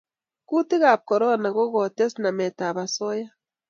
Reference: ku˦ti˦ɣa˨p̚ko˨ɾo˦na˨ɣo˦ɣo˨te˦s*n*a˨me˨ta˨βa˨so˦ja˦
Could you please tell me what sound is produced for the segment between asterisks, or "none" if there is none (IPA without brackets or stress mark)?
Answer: n